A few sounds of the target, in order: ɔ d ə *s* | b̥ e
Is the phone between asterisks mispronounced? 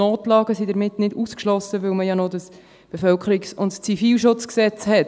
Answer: no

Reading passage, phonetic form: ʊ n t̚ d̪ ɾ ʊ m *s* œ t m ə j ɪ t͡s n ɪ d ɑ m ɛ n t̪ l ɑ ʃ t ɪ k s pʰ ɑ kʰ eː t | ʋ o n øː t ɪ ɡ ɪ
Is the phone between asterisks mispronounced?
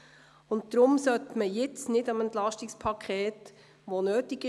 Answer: no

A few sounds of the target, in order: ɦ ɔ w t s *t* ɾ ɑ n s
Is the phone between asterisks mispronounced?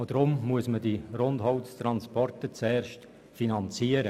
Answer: no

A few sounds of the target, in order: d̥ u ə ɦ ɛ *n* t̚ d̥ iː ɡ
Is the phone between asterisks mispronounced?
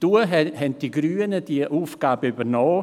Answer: no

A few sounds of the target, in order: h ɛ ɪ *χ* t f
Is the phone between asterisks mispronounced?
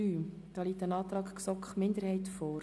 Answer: yes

